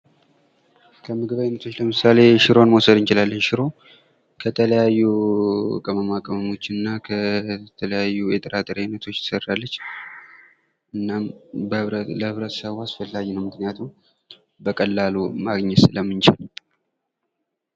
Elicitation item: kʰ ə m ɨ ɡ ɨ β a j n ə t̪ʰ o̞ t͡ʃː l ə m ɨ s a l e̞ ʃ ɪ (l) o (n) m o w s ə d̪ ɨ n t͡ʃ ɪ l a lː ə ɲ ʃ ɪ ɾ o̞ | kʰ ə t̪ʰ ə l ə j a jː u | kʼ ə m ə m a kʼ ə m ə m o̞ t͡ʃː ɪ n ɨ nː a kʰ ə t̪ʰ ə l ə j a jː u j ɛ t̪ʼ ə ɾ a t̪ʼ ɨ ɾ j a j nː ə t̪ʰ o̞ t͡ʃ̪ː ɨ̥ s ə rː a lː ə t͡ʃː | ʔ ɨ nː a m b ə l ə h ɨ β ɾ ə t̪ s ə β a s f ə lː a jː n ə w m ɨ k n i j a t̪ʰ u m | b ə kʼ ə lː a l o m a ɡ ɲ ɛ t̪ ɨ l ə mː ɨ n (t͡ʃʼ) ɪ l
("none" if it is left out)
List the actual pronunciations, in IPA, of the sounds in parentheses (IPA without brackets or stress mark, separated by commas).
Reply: ɾ, n, t͡ʃ